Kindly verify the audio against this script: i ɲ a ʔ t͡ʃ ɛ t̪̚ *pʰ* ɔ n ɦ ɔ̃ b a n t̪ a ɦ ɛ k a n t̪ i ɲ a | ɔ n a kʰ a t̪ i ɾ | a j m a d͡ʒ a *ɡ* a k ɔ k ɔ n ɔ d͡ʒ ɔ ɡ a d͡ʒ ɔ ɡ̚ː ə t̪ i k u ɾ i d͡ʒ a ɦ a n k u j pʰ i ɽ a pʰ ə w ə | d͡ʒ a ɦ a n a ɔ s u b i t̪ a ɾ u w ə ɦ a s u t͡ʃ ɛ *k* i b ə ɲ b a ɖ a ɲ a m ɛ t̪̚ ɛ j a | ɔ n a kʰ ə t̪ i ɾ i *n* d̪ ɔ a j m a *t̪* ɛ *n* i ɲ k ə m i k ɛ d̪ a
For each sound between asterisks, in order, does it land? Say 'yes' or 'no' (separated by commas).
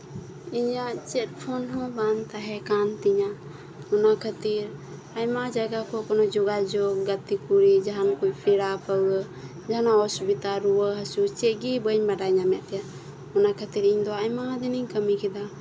yes, yes, no, no, no, yes